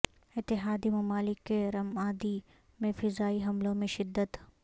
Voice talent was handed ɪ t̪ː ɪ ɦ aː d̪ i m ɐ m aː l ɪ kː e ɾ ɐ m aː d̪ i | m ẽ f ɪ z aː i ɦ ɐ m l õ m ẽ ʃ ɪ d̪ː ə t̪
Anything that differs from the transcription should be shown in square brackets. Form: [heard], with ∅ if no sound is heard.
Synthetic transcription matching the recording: ɪ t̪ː ɪ ɦ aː d̪ i m ɐ m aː l ɪ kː e ɾ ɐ m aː d̪ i | m ẽ f ɪ z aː i ɦ ɐ m l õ m ẽ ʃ ɪ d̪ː ə t̪